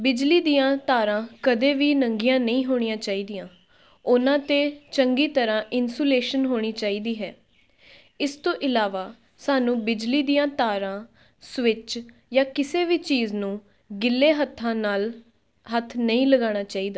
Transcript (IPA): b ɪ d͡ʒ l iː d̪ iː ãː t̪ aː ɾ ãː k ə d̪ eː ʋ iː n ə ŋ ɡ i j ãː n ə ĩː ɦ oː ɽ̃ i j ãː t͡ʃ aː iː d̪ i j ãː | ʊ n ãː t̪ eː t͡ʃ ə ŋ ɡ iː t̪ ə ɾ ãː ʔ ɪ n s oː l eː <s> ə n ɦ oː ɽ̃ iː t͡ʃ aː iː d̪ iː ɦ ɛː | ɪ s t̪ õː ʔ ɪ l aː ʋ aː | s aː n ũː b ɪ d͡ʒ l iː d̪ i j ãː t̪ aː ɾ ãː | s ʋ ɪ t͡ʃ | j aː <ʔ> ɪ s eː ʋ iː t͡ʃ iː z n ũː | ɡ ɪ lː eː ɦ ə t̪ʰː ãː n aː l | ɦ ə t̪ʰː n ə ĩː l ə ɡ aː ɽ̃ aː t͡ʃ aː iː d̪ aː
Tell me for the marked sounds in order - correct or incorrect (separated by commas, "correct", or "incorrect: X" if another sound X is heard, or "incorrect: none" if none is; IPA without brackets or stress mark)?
incorrect: ʃ, incorrect: k